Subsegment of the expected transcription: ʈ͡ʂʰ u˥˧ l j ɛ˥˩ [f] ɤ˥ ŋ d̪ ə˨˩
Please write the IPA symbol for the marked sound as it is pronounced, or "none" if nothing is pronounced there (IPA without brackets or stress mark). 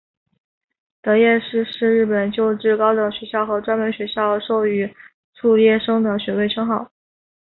ʂ